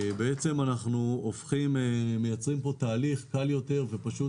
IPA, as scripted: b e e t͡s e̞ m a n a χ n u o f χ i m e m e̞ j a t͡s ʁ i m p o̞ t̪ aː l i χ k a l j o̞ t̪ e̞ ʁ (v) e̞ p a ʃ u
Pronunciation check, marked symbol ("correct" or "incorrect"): correct